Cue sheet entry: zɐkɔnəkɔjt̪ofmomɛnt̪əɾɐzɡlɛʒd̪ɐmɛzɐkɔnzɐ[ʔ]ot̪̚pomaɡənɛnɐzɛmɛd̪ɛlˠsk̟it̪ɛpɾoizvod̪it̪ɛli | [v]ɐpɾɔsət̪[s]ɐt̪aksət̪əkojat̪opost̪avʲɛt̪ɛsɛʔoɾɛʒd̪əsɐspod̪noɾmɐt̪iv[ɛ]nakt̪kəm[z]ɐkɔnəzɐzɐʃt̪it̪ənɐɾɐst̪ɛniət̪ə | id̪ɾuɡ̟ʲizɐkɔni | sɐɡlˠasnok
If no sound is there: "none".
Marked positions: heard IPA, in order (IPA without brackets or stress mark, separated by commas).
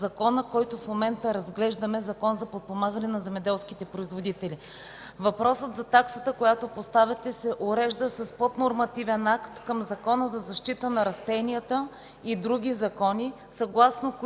p, v, z, ɛ, z